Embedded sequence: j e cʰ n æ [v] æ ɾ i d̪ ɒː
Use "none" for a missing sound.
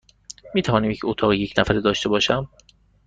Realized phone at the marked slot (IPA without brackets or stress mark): f